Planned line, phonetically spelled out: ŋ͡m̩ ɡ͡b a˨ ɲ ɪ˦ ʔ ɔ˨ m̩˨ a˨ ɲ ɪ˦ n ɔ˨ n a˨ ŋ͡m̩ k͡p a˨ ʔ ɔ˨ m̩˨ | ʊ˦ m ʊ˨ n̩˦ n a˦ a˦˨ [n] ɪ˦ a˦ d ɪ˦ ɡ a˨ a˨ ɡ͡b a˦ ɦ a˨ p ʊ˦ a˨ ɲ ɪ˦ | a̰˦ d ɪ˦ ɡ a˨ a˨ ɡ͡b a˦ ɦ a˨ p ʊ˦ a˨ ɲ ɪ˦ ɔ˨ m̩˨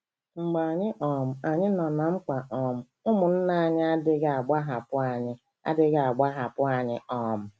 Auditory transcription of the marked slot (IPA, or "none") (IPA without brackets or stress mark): ɲ